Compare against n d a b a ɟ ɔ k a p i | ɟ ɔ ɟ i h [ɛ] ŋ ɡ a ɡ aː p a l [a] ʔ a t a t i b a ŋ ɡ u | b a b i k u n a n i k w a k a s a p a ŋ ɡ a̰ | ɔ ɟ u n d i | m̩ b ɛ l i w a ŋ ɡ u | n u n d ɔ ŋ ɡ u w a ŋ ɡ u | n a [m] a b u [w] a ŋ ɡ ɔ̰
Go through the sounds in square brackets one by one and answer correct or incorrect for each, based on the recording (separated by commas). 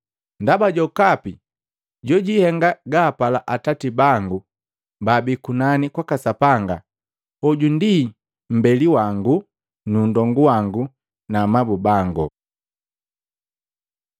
correct, correct, correct, incorrect